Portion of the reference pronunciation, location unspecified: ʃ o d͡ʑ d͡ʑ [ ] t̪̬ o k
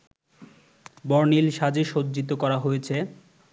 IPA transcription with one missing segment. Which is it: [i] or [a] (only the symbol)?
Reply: i